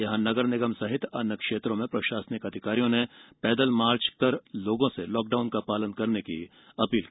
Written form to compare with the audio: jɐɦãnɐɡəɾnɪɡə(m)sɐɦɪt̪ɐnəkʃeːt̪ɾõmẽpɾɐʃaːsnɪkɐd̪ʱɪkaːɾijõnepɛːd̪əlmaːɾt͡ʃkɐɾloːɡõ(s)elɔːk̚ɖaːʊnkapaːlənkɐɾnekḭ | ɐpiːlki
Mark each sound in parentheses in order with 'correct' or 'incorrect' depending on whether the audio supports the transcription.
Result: correct, correct

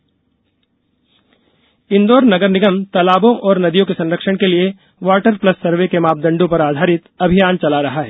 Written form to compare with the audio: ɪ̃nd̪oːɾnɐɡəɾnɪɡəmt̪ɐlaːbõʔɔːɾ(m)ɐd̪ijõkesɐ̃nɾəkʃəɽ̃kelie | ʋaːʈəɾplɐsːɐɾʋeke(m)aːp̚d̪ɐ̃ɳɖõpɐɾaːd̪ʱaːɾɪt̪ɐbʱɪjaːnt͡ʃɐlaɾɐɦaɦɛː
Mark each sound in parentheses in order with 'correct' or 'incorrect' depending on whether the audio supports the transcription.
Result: incorrect: n, correct

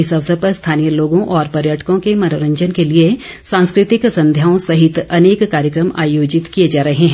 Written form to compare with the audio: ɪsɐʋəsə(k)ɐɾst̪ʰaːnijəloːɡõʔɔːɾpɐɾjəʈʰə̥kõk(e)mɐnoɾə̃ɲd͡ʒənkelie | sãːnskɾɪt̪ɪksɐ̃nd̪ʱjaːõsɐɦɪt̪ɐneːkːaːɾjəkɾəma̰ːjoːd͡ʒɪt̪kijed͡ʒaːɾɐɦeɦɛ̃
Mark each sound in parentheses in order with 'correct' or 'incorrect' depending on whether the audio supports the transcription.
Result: incorrect: p, correct

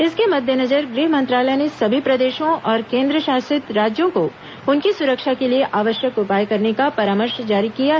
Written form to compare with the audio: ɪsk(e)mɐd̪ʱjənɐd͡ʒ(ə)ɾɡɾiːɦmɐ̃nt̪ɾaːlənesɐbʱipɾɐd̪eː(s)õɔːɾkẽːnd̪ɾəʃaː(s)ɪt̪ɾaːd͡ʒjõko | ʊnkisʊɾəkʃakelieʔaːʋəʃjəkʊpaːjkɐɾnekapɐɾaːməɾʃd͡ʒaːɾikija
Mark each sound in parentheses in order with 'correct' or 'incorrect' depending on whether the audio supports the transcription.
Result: correct, correct, incorrect: ʃ, correct

